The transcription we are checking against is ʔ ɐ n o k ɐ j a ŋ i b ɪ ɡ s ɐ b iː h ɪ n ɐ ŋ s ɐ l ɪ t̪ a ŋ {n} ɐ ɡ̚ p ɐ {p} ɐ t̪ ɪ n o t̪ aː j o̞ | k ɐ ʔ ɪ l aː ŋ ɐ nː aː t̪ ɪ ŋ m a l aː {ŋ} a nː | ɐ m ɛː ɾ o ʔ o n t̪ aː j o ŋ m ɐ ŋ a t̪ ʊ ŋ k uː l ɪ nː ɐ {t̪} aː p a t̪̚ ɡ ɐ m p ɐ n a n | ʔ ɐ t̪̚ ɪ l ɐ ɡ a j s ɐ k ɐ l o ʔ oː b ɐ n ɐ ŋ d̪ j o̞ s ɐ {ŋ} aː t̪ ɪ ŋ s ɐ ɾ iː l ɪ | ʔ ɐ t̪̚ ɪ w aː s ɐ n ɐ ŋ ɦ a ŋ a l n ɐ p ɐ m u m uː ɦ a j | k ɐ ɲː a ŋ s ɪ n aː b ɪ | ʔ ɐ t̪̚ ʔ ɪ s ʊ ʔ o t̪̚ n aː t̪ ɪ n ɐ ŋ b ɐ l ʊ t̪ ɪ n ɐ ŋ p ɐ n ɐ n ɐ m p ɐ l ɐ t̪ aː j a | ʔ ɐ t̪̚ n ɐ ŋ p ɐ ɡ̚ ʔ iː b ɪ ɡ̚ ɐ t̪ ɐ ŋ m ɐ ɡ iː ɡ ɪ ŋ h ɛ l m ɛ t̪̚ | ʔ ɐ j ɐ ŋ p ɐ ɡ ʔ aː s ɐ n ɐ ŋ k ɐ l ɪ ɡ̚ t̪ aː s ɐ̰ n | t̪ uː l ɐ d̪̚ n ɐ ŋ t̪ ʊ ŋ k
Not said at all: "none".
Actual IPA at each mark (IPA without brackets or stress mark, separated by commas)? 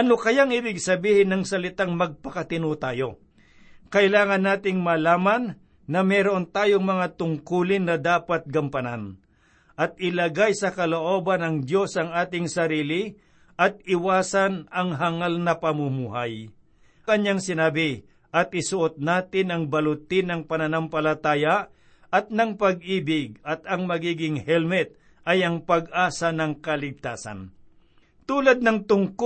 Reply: m, k, m, d̪, ŋ